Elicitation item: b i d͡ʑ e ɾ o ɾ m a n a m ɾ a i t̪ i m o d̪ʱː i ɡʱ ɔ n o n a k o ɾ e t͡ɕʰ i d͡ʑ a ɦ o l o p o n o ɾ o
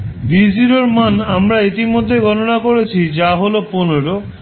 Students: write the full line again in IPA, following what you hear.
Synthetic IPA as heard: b i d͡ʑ i ɾ o ɾ m a n a m ɾ a i t̪ i m o d̪ʱː e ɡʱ ɔ n o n a k o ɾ e t͡ɕʰ i d͡ʑ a ɦ o l o p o n o ɾ o